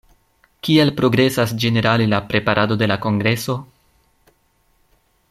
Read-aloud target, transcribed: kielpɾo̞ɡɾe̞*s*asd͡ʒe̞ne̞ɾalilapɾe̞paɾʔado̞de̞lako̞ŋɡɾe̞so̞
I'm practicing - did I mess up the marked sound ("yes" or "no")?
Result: no